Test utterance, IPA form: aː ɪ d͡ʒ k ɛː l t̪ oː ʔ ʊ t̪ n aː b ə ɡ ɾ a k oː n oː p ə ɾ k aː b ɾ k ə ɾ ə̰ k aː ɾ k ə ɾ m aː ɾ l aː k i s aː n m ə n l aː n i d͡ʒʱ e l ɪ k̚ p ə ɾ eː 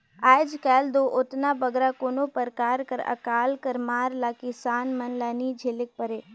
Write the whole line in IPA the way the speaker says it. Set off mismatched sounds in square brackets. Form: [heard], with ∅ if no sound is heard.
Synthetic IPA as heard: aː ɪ d͡ʒ k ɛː l [d̪] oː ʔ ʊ t̪ n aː b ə ɡ ɾ a k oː n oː p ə ɾ k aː [∅] ɾ k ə ɾ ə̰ k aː [l] k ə ɾ m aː ɾ l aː k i s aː n m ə n l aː n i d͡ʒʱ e l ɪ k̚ p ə ɾ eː

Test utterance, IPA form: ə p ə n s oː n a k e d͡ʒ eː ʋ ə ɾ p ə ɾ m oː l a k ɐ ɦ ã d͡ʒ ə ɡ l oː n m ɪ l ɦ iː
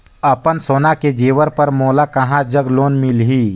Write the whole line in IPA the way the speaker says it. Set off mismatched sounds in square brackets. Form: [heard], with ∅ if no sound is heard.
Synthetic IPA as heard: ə p ə n s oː n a k e d͡ʒ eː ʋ ə ɾ p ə ɾ m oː l a k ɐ ɦ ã d͡ʒ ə ɡ l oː n m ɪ l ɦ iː

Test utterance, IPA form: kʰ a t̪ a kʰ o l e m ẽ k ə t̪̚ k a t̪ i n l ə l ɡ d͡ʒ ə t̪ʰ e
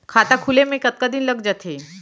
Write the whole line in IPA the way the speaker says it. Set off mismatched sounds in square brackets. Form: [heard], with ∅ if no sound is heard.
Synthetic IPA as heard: kʰ a t̪ a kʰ [u] l e m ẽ k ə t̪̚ k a [d̪] i n l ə [∅] ɡ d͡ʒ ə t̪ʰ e

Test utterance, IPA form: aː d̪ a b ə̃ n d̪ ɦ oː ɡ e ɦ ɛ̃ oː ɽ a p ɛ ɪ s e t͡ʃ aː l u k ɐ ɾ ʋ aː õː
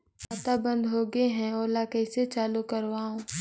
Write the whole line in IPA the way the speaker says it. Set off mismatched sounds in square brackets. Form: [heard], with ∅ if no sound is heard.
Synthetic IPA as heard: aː [t̪] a b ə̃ n d̪ ɦ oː ɡ e ɦ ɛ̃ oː [l] a [k] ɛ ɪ s e t͡ʃ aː l u k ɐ ɾ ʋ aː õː

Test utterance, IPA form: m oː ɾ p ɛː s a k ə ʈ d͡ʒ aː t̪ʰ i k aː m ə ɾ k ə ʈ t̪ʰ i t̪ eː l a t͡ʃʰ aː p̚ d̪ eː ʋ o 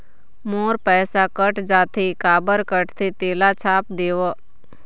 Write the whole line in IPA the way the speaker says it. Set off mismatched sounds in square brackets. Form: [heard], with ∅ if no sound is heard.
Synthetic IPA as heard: m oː ɾ p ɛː s a k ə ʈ d͡ʒ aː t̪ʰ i k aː [b] ə ɾ k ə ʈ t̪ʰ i t̪ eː l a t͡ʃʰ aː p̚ d̪ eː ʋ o

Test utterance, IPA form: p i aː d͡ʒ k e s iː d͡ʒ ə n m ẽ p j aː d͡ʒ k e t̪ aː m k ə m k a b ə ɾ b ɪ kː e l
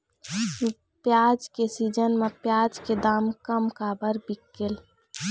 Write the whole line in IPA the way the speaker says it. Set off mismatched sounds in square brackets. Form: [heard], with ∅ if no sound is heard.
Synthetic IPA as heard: p [j] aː d͡ʒ k e s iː d͡ʒ ə n m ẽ p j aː d͡ʒ k e [d̪] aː m k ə m k a b ə ɾ b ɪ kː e l

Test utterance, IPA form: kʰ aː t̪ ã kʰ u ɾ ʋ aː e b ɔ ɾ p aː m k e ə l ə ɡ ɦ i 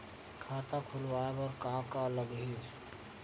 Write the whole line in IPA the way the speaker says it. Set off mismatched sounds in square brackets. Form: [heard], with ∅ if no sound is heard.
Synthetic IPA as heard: kʰ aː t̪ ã kʰ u [l] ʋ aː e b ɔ ɾ [k] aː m k [a] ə l ə ɡ ɦ i

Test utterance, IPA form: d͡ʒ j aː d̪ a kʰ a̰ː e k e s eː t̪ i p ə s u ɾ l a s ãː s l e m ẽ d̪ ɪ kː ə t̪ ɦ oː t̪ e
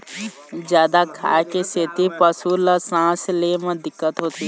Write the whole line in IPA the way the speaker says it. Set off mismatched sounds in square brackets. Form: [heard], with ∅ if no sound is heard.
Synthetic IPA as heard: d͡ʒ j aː d̪ a kʰ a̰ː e k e s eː t̪ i p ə s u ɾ l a s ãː s l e m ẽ d̪ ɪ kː ə t̪ ɦ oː t̪ [i]

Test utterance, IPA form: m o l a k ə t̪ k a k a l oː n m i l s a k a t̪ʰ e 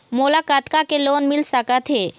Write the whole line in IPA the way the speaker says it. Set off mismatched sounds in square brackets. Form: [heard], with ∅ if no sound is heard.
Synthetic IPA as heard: m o l a k [a] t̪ k a k [e] l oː n m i l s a k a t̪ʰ e

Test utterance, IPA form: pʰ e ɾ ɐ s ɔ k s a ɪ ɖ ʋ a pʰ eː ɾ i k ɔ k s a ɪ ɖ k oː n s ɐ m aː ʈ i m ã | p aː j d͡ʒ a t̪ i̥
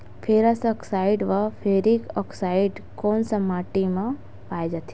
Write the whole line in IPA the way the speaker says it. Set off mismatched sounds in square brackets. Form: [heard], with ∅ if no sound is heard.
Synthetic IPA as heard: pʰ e ɾ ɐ s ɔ k s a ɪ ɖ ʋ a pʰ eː ɾ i k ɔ k s a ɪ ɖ k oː n s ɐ m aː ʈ i m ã | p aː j d͡ʒ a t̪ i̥

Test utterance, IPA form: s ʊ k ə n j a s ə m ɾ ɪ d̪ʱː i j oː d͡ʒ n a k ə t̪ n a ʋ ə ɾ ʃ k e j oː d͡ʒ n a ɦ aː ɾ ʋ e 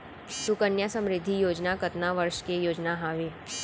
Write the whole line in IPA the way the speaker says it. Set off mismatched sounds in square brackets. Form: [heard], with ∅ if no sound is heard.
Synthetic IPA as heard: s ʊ k ə n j a s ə m ɾ ɪ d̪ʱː i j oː d͡ʒ n a k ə t̪ n a ʋ ə ɾ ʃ k e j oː d͡ʒ n a ɦ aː [∅] ʋ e

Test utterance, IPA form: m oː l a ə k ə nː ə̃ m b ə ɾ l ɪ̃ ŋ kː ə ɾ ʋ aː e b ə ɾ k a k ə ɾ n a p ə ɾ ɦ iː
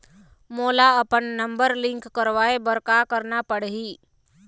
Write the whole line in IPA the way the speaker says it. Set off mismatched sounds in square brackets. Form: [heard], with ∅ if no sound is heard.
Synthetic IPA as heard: m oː l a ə [p] ə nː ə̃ m b ə ɾ l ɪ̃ ŋ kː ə ɾ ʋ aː e b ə ɾ k a k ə ɾ n a p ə [ɽ] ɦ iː

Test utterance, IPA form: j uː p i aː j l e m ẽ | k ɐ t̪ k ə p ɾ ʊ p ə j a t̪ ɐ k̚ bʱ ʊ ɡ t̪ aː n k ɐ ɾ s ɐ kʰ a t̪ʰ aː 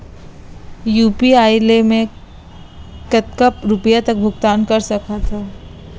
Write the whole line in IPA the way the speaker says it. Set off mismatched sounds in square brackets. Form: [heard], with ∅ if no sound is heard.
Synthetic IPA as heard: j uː p i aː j l e m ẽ | k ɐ t̪ k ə p ɾ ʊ p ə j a t̪ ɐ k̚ bʱ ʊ ɡ t̪ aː n k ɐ ɾ s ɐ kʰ a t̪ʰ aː

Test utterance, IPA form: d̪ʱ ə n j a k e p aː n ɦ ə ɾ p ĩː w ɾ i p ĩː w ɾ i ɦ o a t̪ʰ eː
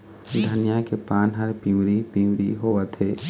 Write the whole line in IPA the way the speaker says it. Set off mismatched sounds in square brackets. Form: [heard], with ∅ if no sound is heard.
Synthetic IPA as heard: d̪ʱ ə n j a k e p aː n ɦ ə ɾ p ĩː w ɾ i p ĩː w ɾ i ɦ o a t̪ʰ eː

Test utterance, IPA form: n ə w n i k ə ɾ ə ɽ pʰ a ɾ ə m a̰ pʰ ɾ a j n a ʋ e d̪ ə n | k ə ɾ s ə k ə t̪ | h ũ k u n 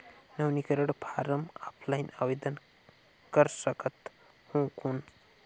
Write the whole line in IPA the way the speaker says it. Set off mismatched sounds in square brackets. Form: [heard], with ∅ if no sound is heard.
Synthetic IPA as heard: n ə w n i k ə ɾ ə ɽ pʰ a ɾ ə m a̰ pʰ [l] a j n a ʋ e d̪ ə n | k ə ɾ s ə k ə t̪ | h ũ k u n

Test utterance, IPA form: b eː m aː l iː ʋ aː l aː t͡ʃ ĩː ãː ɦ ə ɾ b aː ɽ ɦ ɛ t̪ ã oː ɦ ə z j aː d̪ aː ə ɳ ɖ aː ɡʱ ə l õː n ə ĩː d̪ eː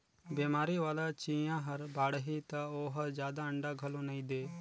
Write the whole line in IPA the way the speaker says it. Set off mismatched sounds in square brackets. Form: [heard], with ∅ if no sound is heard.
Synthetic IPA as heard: b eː m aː [ɾ] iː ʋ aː l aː t͡ʃ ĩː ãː ɦ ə ɾ b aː ɽ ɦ [i] t̪ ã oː ɦ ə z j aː d̪ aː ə ɳ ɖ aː ɡʱ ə l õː n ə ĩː d̪ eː

